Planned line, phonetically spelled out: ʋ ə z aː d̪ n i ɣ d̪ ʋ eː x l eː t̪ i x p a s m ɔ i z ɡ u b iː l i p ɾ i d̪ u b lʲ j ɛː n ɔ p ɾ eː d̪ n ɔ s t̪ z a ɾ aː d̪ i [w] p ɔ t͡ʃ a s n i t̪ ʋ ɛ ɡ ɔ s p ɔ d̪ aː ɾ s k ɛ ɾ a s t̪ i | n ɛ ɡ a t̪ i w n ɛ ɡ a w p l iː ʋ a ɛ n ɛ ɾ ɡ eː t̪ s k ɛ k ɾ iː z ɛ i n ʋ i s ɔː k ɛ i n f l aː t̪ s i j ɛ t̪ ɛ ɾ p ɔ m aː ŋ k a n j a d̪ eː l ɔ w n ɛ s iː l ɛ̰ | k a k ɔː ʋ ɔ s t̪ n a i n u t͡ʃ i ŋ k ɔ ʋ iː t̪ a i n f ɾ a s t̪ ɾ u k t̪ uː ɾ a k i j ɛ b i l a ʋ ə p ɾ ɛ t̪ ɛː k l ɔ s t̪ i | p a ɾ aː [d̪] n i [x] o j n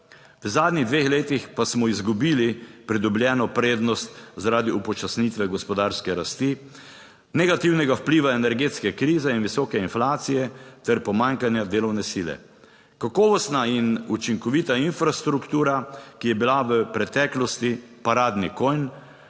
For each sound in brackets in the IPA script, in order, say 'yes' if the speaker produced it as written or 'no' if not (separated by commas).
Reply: no, yes, no